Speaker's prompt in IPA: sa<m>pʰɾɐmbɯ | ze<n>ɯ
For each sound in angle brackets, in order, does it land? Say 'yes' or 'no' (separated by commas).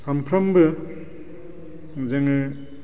yes, no